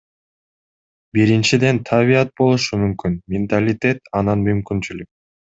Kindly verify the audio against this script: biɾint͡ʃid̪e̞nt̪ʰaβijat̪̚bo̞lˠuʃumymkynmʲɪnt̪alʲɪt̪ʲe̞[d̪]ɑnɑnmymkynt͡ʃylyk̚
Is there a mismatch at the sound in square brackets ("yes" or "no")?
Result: yes